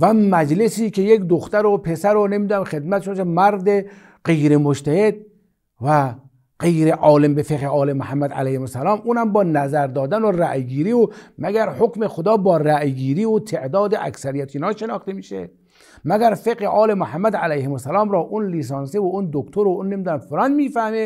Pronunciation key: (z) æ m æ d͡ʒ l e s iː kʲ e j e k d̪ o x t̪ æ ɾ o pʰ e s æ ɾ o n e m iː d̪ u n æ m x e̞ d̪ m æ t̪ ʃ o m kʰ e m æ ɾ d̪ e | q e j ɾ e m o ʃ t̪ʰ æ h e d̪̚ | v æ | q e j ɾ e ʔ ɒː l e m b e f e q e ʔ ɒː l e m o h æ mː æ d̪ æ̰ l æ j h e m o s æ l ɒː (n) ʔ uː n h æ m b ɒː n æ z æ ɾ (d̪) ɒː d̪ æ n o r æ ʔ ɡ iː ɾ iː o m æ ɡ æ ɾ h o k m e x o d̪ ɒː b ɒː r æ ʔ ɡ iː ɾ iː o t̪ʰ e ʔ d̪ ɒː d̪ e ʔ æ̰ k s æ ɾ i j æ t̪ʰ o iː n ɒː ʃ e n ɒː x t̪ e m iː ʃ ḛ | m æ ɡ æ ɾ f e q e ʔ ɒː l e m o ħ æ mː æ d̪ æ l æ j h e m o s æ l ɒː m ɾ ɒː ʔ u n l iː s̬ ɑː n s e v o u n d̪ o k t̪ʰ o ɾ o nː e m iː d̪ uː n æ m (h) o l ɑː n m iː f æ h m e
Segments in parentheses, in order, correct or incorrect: incorrect, incorrect, correct, incorrect

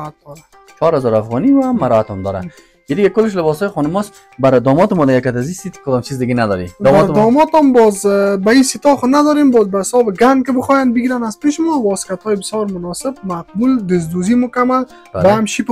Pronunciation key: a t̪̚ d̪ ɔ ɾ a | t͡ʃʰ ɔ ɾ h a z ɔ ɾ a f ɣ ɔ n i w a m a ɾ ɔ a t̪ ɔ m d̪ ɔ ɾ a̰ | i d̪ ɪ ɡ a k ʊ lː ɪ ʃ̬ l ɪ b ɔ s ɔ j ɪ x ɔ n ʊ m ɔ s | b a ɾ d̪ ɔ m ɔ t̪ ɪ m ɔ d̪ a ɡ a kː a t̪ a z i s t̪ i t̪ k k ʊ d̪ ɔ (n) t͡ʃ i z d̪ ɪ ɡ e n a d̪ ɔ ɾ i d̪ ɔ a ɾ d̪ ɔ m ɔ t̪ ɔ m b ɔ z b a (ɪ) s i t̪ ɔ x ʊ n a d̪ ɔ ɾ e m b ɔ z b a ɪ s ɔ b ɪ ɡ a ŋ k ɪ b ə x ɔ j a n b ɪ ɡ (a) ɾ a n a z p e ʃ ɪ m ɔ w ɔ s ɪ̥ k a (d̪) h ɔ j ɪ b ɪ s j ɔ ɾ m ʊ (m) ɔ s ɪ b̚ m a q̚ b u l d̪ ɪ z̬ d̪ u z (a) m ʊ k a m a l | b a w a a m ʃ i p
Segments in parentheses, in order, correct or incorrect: incorrect, incorrect, incorrect, incorrect, incorrect, incorrect

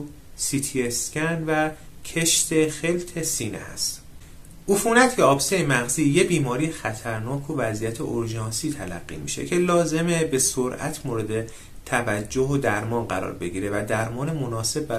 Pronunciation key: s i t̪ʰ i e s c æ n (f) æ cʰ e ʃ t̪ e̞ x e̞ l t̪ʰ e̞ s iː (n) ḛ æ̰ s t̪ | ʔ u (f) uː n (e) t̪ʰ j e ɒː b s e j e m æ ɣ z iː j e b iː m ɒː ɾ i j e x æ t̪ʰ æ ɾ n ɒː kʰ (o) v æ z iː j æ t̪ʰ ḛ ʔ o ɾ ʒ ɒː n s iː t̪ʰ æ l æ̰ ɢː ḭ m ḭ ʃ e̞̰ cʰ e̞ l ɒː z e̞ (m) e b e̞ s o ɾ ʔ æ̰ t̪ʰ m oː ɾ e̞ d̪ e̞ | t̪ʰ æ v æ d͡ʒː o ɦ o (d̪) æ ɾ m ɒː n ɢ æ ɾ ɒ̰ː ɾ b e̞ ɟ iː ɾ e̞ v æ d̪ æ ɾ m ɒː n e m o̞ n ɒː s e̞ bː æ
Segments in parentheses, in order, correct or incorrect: incorrect, correct, correct, incorrect, correct, correct, correct

